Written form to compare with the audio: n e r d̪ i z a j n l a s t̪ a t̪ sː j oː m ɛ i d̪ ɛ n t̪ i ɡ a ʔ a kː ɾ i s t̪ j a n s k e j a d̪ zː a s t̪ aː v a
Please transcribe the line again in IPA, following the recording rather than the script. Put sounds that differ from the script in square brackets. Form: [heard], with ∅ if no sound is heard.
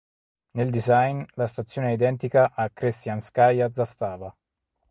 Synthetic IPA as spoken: n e [l] d̪ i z a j n l a s t̪ a t̪ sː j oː [n] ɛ i d̪ ɛ n t̪ i [k] a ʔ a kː ɾ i s t̪ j a n s k [a] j a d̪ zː a s t̪ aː v a